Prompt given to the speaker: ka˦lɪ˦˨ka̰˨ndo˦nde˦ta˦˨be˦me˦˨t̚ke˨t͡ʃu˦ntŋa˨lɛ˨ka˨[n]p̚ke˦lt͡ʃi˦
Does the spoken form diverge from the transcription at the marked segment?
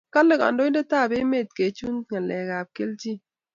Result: yes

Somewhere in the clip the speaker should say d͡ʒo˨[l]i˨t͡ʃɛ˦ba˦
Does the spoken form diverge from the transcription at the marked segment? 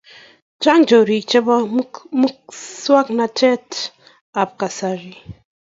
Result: yes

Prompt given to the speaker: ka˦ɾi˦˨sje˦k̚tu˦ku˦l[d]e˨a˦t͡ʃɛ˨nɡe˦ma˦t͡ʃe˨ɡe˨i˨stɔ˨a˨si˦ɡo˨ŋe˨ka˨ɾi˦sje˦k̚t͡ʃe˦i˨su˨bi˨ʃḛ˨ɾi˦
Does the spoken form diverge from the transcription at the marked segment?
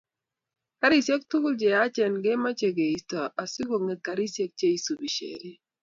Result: yes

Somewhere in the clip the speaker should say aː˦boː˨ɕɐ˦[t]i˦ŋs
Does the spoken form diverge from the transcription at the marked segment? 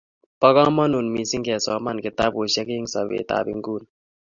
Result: yes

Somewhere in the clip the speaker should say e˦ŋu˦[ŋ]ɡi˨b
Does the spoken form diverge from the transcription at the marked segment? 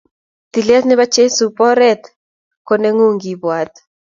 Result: no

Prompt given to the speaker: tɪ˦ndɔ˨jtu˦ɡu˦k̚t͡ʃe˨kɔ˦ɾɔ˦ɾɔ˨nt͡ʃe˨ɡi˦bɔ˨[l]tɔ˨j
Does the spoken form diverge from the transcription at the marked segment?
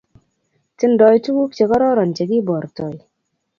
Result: yes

